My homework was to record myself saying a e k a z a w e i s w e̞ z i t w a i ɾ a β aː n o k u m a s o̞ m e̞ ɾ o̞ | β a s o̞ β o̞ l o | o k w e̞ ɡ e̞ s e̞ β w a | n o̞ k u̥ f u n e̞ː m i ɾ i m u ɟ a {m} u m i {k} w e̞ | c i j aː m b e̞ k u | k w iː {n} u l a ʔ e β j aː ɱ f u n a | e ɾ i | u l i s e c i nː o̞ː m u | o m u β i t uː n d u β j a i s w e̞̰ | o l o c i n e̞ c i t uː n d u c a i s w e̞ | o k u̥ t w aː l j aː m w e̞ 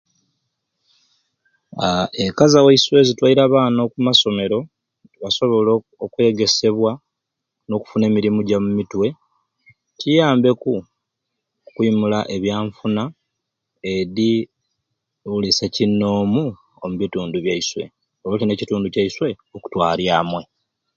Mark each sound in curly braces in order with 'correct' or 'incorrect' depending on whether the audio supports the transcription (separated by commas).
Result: correct, incorrect, incorrect